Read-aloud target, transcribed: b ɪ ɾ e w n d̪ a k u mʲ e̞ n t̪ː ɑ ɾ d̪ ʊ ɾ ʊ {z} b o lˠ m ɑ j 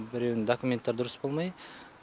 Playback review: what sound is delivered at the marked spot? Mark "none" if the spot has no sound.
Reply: s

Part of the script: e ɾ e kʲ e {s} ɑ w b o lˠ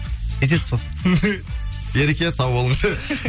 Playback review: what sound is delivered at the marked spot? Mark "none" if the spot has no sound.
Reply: s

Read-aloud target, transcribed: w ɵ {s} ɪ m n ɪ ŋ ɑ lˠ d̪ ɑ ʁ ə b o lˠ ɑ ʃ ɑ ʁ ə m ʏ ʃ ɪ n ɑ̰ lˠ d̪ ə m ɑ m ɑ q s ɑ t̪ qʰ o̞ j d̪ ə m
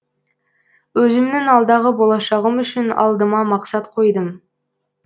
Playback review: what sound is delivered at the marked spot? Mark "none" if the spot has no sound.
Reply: z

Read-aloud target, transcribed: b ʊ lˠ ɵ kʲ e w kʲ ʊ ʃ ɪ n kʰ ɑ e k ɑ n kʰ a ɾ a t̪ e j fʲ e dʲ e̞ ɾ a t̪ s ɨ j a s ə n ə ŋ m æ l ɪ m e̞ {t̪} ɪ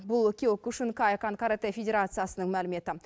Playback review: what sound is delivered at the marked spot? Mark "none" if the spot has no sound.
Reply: t̪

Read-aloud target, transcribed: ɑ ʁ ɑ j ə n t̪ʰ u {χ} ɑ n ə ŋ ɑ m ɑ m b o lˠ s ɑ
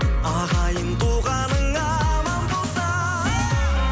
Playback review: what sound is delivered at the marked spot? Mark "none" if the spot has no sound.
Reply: ʁ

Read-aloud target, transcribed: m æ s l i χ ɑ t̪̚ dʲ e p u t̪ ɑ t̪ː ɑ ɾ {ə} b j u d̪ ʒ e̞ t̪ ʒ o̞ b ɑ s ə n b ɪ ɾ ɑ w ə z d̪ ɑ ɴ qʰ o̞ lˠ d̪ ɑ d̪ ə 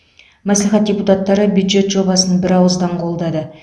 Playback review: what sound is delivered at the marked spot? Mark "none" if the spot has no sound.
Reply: ə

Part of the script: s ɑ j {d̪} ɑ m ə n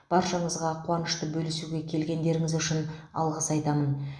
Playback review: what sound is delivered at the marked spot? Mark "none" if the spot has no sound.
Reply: t̪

